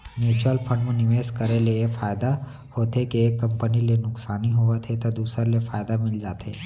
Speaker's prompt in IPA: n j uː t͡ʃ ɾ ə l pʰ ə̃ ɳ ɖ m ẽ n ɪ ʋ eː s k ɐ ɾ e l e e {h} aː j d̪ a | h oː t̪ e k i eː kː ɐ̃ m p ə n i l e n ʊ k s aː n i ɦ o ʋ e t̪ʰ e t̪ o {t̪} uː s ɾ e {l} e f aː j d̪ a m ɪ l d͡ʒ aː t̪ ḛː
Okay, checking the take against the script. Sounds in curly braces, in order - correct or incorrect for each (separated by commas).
incorrect, incorrect, correct